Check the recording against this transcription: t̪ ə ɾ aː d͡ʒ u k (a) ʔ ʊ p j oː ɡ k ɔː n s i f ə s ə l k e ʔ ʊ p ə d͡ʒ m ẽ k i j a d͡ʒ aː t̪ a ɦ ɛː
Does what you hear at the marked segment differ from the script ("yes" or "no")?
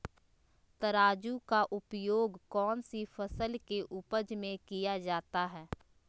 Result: no